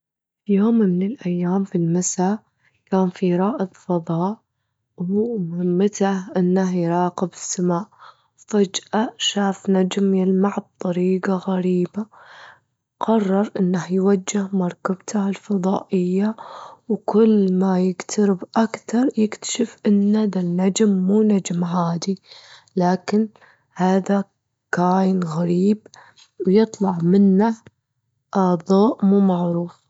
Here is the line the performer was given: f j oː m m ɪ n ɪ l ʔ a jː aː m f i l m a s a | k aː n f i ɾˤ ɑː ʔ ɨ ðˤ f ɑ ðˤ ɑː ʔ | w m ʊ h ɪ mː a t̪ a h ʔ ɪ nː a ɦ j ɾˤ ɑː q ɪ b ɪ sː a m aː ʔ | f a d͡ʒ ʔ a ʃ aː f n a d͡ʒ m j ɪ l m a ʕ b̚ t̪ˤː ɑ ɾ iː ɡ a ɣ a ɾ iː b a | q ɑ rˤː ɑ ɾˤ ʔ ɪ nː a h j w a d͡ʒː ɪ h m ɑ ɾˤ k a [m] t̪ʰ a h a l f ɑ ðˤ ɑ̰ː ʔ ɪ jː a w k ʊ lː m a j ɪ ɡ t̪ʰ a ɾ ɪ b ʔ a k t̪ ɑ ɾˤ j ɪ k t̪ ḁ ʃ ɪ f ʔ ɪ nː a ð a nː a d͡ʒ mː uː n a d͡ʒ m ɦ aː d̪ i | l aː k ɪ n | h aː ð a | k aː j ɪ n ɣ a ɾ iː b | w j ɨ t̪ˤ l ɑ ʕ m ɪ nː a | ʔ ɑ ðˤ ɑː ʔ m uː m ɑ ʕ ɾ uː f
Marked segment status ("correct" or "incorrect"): incorrect